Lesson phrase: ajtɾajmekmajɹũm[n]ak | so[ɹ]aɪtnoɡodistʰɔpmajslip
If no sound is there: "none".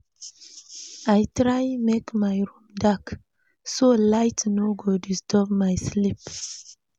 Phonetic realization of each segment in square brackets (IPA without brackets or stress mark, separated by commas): d, l